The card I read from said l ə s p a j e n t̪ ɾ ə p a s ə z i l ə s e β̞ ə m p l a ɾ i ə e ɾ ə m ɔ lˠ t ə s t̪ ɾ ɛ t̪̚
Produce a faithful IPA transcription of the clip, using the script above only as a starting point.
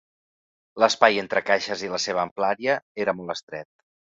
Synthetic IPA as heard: l ə s p a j e n t̪ ɾ ə k a ʃ ə z i l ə s e β̞ əː m p l a ɾ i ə e ɾ ə m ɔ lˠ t ə s t̪ ɾ ɛ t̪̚